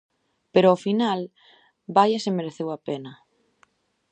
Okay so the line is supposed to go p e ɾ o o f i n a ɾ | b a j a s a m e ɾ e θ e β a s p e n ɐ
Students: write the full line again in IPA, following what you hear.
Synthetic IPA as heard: p e ɾ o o f i n a l | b a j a s e m e ɾ e θ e w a p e n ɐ